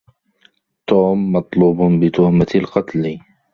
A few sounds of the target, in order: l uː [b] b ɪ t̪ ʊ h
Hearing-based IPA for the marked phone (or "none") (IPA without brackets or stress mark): b